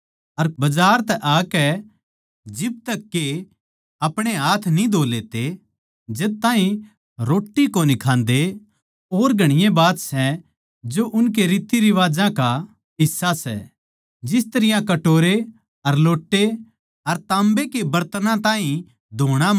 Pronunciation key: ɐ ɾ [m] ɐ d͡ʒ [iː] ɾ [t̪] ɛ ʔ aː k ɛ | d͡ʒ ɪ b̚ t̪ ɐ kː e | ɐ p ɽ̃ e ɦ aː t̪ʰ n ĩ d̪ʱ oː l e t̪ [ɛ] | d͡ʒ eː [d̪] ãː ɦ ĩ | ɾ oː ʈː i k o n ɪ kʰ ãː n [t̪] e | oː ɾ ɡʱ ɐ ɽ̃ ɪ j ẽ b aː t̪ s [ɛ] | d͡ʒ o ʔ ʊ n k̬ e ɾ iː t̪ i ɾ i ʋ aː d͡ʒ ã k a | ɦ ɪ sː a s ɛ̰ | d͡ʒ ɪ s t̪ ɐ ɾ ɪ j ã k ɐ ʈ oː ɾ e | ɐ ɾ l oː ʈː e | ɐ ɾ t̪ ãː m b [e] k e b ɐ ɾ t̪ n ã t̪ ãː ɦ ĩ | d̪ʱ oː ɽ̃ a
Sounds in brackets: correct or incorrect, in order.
incorrect: b, incorrect: aː, correct, incorrect: e, incorrect: t̪, incorrect: d̪, correct, correct

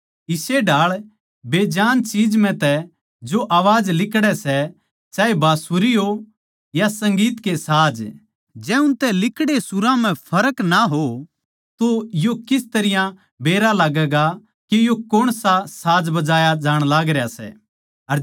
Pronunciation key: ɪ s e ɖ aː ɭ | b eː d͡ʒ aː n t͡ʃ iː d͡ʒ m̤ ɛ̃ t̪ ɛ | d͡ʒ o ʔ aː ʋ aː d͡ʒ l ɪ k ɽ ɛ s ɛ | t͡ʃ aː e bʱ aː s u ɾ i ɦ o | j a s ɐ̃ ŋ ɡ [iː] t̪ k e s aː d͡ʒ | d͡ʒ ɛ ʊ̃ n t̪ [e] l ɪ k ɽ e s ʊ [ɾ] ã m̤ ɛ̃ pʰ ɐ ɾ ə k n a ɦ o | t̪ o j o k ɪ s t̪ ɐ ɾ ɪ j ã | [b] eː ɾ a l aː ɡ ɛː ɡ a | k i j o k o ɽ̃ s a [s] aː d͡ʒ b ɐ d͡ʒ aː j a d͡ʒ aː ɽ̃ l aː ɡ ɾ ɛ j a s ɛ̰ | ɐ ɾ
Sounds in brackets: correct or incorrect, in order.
correct, incorrect: ɛ, correct, correct, correct

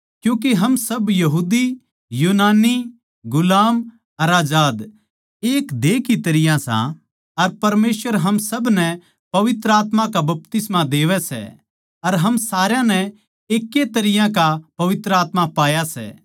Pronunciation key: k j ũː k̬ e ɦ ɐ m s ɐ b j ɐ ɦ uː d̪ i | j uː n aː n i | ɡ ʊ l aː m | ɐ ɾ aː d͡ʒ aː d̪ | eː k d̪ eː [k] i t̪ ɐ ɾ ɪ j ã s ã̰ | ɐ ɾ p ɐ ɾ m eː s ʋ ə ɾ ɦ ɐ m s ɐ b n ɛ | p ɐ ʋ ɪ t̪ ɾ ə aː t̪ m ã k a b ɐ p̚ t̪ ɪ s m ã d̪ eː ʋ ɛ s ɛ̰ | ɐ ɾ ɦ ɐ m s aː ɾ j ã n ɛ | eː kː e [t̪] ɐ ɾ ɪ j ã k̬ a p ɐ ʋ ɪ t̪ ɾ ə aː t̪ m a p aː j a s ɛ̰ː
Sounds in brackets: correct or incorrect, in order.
correct, correct

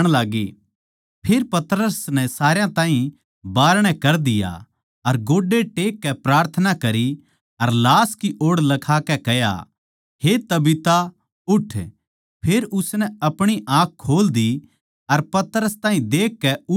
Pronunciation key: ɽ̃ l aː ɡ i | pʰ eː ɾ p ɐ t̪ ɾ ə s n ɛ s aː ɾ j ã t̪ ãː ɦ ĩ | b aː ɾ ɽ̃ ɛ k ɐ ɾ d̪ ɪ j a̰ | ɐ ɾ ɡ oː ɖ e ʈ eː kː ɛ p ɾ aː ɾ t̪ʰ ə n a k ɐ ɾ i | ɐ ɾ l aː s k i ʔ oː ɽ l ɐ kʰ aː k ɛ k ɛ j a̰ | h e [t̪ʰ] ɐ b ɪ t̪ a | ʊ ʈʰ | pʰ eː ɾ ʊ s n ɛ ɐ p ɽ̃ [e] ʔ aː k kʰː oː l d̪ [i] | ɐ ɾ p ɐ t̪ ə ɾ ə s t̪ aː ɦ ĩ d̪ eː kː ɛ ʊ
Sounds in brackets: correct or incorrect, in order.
incorrect: t̪, incorrect: i, correct

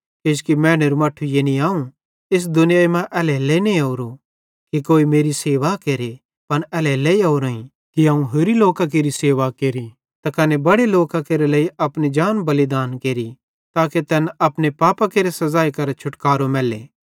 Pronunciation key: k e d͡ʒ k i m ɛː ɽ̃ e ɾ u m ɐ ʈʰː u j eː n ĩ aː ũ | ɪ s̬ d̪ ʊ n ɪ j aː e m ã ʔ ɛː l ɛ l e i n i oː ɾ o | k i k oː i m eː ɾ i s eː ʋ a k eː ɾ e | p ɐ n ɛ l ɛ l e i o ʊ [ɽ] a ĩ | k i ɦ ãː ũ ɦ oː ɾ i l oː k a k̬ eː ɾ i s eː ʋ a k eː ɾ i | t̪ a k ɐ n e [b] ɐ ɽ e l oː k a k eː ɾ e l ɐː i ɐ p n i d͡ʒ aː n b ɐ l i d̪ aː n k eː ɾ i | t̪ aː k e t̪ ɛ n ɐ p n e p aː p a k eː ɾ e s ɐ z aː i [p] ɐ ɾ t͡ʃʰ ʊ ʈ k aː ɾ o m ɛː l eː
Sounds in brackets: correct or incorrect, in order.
incorrect: ɾ, correct, incorrect: k

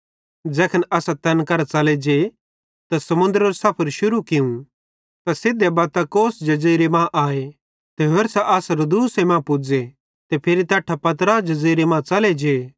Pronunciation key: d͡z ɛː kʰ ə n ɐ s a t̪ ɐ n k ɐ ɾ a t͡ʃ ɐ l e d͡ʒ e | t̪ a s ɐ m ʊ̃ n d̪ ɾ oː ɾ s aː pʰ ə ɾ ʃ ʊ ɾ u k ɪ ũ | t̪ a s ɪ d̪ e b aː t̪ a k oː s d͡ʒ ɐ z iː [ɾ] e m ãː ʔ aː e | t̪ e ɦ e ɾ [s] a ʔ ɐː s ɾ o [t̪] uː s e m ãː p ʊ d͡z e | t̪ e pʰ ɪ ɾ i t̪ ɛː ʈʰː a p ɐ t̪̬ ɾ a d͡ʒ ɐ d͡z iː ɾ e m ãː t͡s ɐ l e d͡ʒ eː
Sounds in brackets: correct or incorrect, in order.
correct, correct, incorrect: d̪

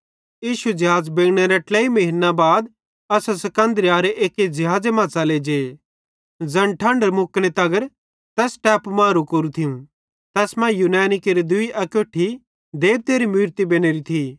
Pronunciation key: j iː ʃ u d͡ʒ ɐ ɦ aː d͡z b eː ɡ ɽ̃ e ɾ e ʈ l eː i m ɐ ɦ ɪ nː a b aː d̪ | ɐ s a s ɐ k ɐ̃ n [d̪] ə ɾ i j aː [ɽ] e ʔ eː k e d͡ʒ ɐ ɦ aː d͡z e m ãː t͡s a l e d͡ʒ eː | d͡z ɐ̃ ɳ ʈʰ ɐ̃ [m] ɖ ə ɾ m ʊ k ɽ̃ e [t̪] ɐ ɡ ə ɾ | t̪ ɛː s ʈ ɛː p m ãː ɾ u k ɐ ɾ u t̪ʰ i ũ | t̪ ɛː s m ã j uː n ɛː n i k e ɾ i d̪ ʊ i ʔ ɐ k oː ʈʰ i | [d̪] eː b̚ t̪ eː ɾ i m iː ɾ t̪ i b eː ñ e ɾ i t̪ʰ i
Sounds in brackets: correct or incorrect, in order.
correct, incorrect: ɾ, incorrect: ɳ, correct, correct

